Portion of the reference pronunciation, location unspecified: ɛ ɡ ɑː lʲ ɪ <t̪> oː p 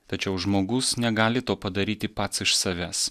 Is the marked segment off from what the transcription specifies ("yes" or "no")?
no